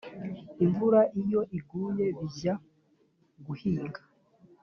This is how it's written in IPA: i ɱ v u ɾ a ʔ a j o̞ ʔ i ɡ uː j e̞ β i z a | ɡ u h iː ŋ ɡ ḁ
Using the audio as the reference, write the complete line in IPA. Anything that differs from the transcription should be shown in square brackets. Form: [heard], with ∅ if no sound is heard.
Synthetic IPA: i ɱ v u ɾ a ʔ [i] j o̞ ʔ i ɡ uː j e̞ β i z a | ɡ u h iː ŋ ɡ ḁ

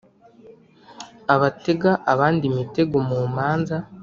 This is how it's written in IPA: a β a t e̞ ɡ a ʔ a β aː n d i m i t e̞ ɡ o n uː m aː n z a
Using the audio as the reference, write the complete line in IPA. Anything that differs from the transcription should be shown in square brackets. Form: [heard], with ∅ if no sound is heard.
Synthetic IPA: a β a t e̞ ɡ a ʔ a β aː n d i m i t e̞ ɡ o [m] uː m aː n z a

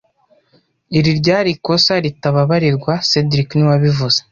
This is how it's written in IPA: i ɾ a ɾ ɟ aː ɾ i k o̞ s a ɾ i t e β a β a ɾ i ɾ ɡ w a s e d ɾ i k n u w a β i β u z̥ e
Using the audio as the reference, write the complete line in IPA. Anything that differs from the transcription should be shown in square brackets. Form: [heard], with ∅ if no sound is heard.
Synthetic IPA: i ɾ [i] ɾ ɟ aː ɾ i k o̞ s a ɾ i t [a] β a β a ɾ i ɾ ɡ w a s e d ɾ i k n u w a β i [v] u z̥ e

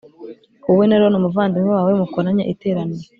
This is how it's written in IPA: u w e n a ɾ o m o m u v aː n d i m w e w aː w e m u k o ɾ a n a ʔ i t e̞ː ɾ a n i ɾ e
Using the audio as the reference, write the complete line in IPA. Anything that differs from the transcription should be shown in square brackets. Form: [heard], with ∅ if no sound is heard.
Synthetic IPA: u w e n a ɾ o [n] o m u v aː n d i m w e w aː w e m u k o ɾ a [ɲ] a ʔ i t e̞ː ɾ a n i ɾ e

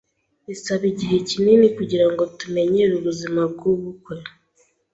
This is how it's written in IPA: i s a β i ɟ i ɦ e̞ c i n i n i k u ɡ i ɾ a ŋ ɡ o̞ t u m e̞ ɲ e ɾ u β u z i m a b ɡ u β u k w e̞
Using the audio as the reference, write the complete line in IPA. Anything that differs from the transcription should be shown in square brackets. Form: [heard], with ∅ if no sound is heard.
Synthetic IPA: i s a β i ɟ i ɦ e̞ c i n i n i k u [ɟ] i ɾ a ŋ ɡ o̞ t u m e̞ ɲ e ɾ u β u z i m a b ɡ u β u k w e̞

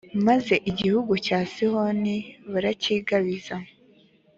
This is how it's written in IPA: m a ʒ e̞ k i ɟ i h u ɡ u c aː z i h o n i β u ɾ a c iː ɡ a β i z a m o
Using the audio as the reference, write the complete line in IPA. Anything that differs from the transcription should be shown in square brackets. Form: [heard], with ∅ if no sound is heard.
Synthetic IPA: m a [z] e̞ [ʔ] i ɟ i h u ɡ u c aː [s] i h o n i β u ɾ a c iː ɡ a β i z a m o

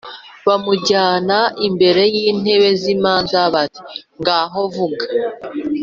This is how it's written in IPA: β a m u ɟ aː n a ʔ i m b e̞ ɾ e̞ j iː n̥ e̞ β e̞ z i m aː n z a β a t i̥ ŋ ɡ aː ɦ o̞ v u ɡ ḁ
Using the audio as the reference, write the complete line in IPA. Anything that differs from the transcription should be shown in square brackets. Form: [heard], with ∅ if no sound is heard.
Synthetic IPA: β a m u ɟ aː n a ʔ i m b e̞ ɾ e̞ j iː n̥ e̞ β e̞ z i m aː n z a β a t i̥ ŋ ɡ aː ɦ o̞ v u ɡ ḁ

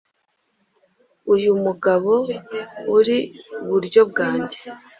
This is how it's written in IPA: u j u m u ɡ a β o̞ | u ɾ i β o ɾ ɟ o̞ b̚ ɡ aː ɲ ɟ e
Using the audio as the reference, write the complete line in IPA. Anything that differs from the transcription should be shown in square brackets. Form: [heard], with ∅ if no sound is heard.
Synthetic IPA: u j u m u ɡ a β o̞ | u ɾ i β [u] ɾ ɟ o̞ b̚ ɡ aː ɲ ɟ e

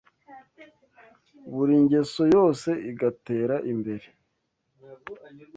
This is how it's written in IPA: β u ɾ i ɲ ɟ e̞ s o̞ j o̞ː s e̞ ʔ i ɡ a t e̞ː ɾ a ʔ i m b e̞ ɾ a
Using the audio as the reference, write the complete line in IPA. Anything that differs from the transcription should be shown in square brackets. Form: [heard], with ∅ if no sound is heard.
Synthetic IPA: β u ɾ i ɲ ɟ e̞ s o̞ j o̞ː s e̞ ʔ i ɡ a t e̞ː ɾ a ʔ i m b e̞ ɾ [e]

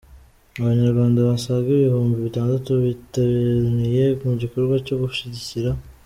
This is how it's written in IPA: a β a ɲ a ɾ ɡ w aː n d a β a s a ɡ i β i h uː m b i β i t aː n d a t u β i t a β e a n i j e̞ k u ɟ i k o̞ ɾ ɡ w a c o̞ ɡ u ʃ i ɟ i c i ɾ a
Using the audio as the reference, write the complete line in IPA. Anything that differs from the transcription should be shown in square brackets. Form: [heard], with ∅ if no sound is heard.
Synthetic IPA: a β a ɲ a ɾ ɡ w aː n d a β a s a ɡ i β i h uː m b i β i t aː n d a t u β i t a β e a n i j e̞ k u ɟ i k o̞ ɾ ɡ w a c o̞ ɡ u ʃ i ɟ i c i ɾ a

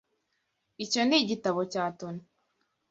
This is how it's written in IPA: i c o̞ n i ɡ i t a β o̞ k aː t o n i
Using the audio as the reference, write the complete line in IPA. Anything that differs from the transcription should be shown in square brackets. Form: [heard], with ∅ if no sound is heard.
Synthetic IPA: i c o̞ n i [ɟ] i t a β o̞ [c] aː t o n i

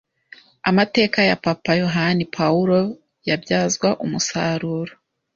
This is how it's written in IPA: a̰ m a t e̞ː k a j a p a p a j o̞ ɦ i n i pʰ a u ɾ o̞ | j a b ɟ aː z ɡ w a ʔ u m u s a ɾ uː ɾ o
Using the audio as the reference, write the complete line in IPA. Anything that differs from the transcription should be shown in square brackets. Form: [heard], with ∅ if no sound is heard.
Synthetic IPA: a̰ m a t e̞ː k a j a p a p a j o̞ ɦ [a] n i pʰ a u ɾ o̞ | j a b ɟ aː z ɡ w a ʔ u m u s a ɾ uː ɾ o

